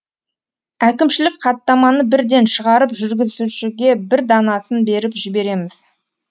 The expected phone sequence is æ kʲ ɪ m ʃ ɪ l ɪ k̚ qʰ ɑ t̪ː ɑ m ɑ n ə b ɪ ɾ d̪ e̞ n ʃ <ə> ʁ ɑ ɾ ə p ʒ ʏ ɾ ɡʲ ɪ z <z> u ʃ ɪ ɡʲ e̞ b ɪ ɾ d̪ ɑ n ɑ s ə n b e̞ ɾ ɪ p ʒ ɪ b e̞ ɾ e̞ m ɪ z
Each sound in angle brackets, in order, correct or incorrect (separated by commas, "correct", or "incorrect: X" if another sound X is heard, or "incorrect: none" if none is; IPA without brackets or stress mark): correct, correct